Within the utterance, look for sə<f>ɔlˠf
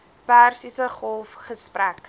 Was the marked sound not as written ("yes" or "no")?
yes